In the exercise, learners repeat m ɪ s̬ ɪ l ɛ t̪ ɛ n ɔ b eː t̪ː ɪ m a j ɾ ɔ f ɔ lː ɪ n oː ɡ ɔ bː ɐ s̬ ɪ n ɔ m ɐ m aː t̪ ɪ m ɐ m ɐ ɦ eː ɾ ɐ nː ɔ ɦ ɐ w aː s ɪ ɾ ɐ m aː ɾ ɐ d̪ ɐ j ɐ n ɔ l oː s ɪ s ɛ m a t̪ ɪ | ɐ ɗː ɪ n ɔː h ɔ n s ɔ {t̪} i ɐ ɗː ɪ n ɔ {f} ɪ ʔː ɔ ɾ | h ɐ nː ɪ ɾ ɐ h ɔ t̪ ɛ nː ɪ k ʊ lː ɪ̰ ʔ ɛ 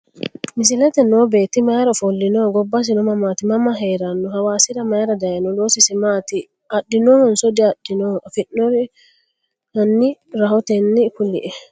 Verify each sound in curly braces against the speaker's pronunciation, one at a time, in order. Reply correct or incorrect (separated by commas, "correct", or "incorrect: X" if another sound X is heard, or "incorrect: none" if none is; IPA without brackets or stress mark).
incorrect: d̪, correct